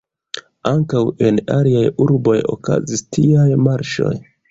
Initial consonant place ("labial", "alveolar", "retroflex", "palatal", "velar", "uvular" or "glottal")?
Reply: velar